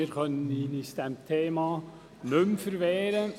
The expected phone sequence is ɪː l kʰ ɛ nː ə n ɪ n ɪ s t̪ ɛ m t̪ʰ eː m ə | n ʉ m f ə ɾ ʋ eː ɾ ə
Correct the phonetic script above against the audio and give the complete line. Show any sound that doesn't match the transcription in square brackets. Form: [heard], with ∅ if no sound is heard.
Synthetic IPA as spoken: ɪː [ɾ] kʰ [œ] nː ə n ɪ n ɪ s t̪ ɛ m t̪ʰ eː m [ɑ] | n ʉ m f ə ɾ ʋ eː ɾ ə